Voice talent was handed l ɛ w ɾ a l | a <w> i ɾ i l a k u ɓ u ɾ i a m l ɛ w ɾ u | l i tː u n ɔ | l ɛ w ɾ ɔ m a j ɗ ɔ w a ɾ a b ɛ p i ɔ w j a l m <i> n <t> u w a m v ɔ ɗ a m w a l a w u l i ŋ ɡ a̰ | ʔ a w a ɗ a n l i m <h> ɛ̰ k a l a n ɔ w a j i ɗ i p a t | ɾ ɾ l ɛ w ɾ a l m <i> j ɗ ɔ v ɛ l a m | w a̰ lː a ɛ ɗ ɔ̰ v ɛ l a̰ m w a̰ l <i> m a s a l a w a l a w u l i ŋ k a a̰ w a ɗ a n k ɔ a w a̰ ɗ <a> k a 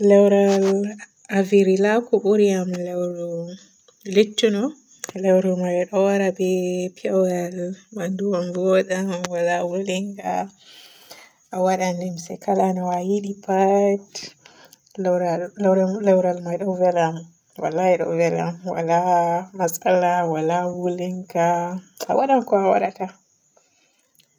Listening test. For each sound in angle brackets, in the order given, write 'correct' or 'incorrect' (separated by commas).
incorrect, incorrect, incorrect, incorrect, incorrect, incorrect, correct